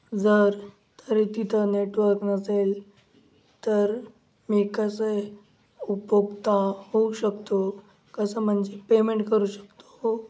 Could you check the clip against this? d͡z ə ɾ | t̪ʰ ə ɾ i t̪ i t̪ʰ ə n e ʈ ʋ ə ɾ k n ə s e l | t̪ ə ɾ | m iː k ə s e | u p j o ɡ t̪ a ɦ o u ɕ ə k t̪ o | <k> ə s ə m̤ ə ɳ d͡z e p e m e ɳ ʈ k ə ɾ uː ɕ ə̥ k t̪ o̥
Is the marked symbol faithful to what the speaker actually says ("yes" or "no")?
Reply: yes